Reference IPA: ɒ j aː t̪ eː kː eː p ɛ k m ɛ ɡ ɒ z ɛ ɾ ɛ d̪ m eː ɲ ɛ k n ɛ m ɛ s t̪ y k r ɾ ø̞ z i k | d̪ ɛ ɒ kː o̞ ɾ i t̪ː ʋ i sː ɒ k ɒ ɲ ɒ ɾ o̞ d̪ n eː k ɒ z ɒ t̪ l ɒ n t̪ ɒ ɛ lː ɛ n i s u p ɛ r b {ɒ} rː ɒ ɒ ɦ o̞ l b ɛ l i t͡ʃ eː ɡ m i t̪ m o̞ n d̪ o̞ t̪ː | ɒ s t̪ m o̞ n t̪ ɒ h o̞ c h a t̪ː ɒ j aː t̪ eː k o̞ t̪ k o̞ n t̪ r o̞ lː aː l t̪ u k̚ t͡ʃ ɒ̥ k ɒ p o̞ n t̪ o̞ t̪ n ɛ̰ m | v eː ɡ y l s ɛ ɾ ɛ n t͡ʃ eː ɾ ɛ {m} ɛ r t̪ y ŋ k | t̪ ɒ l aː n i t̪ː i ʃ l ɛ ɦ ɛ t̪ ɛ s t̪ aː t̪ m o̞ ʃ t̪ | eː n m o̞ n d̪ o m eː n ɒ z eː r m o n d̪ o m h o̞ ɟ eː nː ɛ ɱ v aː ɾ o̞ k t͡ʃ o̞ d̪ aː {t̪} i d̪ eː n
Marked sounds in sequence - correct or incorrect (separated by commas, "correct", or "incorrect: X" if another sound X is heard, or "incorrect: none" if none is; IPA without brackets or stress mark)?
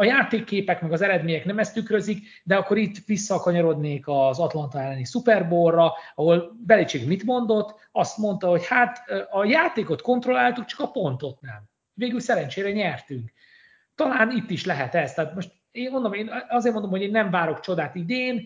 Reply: incorrect: o, incorrect: ɲ, correct